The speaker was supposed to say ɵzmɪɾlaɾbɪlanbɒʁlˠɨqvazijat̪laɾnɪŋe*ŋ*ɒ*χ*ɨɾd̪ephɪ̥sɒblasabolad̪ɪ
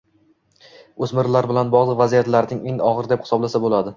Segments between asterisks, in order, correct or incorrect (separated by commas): correct, incorrect